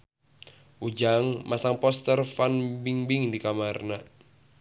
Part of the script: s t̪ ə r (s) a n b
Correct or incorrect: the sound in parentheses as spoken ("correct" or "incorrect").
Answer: incorrect